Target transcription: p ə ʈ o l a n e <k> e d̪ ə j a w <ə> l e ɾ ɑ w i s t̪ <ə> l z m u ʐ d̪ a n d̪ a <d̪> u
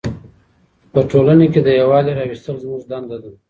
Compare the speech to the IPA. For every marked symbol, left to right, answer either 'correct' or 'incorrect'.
correct, incorrect: ɑ, correct, correct

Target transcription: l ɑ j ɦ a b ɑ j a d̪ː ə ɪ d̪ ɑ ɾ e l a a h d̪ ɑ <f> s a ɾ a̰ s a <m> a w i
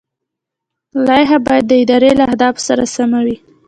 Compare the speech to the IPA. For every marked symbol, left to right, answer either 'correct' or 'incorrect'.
correct, correct

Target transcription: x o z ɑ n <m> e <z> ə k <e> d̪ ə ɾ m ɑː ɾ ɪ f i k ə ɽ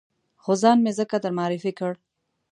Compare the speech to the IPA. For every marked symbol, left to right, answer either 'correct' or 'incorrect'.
correct, correct, incorrect: a

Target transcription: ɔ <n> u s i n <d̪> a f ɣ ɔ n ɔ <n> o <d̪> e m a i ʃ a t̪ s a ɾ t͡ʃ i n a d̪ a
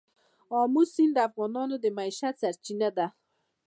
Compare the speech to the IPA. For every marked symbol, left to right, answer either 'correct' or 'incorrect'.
incorrect: m, correct, correct, correct

